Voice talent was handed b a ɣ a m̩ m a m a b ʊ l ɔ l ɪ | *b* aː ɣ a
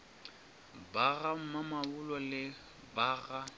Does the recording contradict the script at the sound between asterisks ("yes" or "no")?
no